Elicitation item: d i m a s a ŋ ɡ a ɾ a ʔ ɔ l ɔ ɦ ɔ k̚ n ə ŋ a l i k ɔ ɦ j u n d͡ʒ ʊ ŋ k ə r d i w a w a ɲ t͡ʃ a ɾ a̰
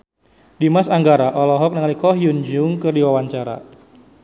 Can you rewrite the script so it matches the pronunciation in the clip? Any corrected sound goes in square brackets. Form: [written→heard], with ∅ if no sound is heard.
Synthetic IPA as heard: d i m a s a ŋ ɡ a ɾ a ʔ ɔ l ɔ ɦ ɔ k̚ n ə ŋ a l i k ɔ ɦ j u n d͡ʒ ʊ ŋ k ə r d i w a w a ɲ t͡ʃ a ɾ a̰